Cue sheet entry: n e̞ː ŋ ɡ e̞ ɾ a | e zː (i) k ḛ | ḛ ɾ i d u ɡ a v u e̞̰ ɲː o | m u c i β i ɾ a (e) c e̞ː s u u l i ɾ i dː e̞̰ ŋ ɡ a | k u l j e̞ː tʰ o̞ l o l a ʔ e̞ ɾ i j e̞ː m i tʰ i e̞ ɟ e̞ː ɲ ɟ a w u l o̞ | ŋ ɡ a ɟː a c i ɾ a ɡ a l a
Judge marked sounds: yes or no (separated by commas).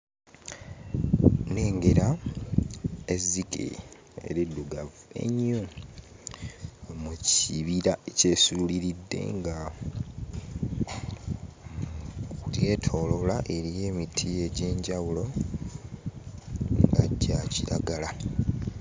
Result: yes, yes